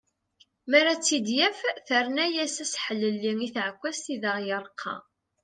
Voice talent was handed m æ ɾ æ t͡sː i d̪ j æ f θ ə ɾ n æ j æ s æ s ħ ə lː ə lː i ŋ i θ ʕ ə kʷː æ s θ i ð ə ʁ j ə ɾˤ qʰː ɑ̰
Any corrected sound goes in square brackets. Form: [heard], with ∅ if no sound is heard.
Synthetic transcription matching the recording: m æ ɾ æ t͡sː i d̪ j æ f θ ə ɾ n æ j æ s æ s ħ ə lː ə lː i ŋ i θ ʕ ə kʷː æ s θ i ð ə ʁ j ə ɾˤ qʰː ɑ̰